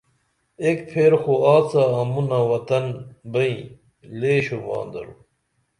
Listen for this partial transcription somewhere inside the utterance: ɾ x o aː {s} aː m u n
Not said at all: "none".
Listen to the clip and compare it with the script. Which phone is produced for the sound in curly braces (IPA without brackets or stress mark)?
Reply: t͡s